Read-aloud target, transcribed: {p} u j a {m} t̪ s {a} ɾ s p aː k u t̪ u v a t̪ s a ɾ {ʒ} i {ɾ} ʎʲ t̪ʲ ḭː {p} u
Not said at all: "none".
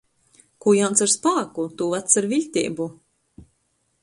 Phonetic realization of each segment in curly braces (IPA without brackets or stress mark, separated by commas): k, n, a, v, none, b